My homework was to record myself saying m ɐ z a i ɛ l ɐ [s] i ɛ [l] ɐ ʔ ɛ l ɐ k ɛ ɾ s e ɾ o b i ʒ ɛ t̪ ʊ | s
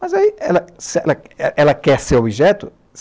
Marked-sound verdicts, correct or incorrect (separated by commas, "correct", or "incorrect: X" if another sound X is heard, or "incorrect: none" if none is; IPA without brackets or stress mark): correct, correct